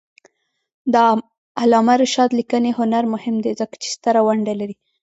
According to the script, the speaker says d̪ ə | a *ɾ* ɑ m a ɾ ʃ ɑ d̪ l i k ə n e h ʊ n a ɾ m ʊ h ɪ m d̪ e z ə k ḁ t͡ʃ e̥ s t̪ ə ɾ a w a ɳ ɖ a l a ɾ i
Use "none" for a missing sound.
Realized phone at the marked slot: l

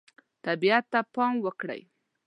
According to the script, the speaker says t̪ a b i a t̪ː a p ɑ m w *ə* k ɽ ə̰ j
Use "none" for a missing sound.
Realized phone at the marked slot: ə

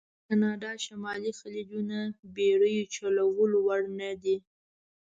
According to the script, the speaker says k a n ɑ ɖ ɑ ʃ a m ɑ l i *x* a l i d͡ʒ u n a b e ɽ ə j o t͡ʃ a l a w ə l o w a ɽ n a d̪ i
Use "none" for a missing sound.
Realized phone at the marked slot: x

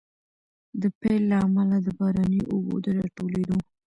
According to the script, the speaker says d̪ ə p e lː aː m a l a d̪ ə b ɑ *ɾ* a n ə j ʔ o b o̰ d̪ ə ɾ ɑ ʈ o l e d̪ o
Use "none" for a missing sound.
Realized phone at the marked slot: ɾ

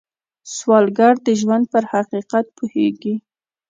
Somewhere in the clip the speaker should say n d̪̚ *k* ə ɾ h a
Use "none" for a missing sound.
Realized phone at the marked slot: p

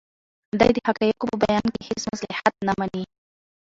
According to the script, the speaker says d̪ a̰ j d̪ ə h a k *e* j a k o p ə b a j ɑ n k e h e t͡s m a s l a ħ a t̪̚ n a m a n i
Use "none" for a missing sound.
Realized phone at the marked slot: a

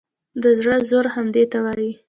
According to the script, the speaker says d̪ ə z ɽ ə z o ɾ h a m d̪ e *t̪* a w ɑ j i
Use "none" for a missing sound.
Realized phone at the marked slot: t̪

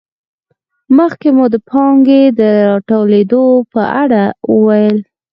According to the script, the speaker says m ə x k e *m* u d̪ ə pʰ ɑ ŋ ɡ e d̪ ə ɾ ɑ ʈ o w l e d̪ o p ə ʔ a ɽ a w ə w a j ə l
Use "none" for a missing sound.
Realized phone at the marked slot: m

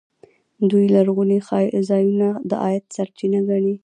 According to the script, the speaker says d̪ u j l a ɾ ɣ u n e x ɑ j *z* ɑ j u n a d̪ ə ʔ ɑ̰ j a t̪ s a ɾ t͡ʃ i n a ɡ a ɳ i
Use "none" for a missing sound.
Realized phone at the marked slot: z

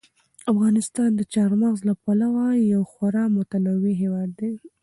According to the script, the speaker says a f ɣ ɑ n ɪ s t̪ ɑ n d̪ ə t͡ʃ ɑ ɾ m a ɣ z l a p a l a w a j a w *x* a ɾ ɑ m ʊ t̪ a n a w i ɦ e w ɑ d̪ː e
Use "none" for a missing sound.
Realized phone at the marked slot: x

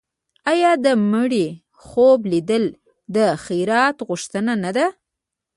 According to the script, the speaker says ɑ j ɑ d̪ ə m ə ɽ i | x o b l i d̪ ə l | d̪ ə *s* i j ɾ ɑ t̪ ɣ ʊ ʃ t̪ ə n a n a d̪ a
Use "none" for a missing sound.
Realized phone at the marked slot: x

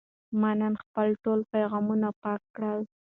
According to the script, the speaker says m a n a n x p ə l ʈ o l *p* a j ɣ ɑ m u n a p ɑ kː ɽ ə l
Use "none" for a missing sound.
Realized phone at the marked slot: p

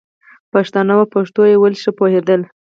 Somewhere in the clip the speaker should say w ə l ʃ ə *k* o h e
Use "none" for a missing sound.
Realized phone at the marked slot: p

